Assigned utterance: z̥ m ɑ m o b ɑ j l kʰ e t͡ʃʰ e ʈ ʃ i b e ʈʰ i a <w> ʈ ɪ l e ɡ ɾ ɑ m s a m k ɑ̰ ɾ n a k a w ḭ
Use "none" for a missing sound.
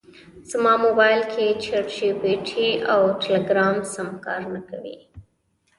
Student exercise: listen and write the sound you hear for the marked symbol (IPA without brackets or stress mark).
w